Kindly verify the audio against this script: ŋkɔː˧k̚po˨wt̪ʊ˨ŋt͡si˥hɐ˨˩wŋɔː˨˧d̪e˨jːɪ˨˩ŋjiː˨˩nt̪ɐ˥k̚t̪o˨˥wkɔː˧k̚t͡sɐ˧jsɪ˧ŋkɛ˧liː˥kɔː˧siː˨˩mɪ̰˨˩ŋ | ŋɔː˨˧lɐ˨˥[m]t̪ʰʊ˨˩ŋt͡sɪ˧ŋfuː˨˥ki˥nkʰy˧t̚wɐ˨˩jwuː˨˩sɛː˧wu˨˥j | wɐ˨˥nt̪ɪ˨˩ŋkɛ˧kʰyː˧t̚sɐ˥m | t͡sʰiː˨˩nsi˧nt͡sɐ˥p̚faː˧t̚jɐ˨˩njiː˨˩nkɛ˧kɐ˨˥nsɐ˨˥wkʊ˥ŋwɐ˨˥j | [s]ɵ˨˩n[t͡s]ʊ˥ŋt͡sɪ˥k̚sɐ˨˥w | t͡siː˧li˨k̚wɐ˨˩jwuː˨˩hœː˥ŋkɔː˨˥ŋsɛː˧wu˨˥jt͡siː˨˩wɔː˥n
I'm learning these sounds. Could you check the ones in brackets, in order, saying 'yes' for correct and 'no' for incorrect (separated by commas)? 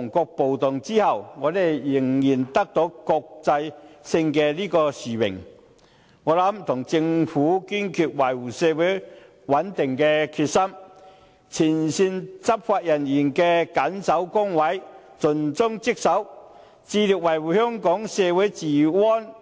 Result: yes, no, yes